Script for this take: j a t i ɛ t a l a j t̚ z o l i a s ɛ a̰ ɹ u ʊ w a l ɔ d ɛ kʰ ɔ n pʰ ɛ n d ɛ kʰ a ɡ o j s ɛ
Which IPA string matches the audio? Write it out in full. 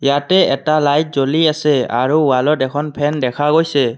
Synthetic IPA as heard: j a t ɛ ɛ t a l a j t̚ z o l i a s ɛ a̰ ɹ u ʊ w a l ɔ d ɛ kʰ ɔ n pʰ ɛ n d ɛ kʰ a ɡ o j s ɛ